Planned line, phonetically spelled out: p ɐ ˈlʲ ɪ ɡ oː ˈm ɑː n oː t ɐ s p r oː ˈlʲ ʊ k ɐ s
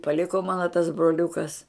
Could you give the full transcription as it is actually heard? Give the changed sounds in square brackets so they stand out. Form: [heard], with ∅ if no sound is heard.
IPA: p ɐ ˈlʲ ɪ [k] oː ˈm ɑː n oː t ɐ s [b] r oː ˈlʲ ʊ k ɐ s